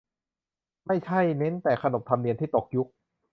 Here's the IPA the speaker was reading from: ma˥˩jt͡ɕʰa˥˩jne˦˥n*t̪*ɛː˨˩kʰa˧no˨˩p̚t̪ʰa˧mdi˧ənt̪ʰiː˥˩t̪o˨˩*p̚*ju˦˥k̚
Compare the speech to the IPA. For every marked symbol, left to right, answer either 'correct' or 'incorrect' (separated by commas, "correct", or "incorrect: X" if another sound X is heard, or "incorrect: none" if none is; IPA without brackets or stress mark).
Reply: correct, incorrect: k̚